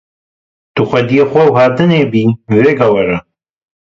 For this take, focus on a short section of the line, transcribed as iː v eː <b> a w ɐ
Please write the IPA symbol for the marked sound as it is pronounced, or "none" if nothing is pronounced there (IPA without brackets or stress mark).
ɡ